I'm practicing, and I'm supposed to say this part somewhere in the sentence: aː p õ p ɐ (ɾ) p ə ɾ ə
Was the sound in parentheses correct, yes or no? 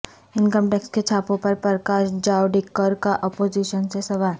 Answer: yes